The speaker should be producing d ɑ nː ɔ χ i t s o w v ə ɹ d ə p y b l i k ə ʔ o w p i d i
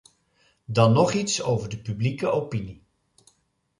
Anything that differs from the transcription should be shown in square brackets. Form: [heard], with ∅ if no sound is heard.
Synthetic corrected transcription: d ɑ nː ɔ χ i t s o w v ə ɹ d ə p y b l i k ə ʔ o w p i [n] i

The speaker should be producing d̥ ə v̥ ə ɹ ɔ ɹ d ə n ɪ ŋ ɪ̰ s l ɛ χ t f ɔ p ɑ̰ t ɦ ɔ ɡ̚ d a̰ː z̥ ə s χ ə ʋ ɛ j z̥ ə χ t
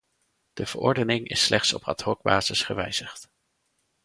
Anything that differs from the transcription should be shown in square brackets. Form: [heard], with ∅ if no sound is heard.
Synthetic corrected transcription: d̥ ə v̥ ə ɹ ɔ ɹ d ə n ɪ ŋ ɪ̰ s l ɛ χ t [s] ɔ p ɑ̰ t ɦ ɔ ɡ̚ [b] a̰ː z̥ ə s χ ə ʋ ɛ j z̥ ə χ t

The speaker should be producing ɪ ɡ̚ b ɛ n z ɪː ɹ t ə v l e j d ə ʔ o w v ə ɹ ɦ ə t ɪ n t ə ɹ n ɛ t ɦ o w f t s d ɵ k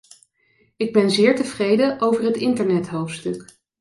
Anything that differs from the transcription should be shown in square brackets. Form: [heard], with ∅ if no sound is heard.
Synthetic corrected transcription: ɪ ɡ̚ b ɛ n z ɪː ɹ t ə v [r] e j d ə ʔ o w v ə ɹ ɦ ə t ɪ n t ə ɹ n ɛ t ɦ o w f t s [t] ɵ k

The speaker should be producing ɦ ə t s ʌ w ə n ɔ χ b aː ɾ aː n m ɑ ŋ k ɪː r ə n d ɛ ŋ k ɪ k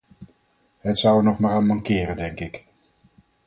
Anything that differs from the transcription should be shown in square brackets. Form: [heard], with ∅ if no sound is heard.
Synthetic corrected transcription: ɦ ə t s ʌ w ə n ɔ χ [m] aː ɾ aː n m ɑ ŋ k ɪː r ə n d ɛ ŋ k ɪ k

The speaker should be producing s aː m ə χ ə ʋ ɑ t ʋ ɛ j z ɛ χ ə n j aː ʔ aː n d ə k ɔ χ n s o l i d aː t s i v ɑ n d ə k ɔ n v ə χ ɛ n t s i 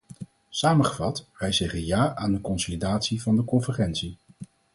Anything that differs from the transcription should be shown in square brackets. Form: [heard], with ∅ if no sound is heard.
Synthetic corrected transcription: s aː m ə χ ə [v] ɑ t ʋ ɛ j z ɛ χ ə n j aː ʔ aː n d ə k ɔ [∅] n s o l i d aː t s i v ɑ n d ə k ɔ n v ə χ ɛ n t s i

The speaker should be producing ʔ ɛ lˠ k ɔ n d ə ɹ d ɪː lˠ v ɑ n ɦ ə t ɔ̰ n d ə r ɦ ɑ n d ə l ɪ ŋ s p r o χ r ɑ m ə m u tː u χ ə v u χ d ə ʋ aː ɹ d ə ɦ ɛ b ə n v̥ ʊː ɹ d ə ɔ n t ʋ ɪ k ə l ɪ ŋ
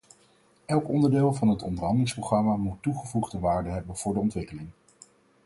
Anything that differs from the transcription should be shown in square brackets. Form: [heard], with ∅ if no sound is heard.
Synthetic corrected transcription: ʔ ɛ lˠ k ɔ n d ə ɹ d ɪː lˠ v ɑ n ɦ ə t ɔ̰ n d ə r ɦ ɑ n d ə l ɪ ŋ s p r o χ r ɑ m [a] m u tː u χ ə v u χ d ə ʋ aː ɹ d ə ɦ ɛ b ə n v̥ ʊː ɹ d ə ɔ n t ʋ ɪ k ə l ɪ ŋ

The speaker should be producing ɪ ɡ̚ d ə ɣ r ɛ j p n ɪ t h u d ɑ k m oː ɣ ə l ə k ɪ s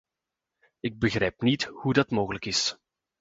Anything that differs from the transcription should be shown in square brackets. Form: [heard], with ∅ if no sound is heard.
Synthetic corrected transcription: ɪ ɡ̚ [b] ə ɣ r ɛ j p n [i] t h u d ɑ [t] m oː ɣ ə l ə k ɪ s

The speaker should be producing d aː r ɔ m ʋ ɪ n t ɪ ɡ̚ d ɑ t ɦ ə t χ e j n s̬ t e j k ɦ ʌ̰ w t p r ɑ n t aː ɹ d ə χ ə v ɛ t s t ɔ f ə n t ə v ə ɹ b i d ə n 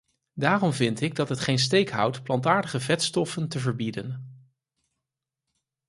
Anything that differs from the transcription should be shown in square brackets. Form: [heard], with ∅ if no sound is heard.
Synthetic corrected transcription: d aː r ɔ m [v] ɪ n t ɪ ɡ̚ d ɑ t ɦ ə t χ e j n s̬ t e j k ɦ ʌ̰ w t p [l] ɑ n t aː ɹ d ə χ ə v ɛ t s t ɔ f ə n t ə v ə ɹ b i d ə n

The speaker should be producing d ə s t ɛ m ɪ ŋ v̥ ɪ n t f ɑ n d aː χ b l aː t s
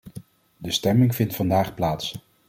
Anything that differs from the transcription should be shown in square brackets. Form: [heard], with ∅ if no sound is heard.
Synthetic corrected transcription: d ə s t ɛ m ɪ ŋ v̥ ɪ n t f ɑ n d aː χ [p] l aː t s

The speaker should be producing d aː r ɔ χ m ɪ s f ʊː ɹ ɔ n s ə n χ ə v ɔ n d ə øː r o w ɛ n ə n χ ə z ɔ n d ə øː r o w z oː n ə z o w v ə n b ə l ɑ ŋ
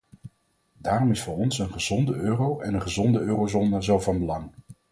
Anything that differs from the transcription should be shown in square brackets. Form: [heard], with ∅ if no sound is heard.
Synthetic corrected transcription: d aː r ɔ [∅] m ɪ s f ʊː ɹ ɔ n s ə n χ ə [z] ɔ n d ə øː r o w ɛ n ə n χ ə z ɔ n d ə øː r o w z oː n ə z o w v [ɑ] n b ə l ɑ ŋ

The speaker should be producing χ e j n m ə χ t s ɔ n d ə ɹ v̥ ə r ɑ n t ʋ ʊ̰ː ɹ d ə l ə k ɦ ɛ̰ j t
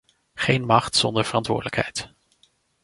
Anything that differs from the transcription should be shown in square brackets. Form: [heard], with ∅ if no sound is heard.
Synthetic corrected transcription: χ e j n m [ɑ] χ t s ɔ n d ə ɹ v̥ ə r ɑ n t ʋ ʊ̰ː ɹ d ə l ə k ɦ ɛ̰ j t

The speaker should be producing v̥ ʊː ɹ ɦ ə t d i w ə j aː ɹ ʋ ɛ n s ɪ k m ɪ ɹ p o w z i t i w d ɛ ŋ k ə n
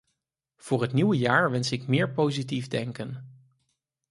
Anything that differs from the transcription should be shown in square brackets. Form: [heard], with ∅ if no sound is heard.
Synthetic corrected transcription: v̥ ʊː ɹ ɦ ə t [n] i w ə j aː ɹ ʋ ɛ n s ɪ k m [ɪː] ɹ p o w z i t i [v] d ɛ ŋ k ə n

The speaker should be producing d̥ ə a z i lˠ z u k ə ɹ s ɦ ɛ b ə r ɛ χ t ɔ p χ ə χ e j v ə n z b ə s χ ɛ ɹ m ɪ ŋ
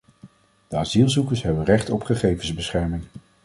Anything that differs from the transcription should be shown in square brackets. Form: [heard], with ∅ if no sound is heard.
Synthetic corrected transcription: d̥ ə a z i lˠ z u k ə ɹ s ɦ ɛ b ə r ɛ χ t ɔ p χ ə χ e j v ə n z b ə s χ ɛ ɹ m ɪ ŋ

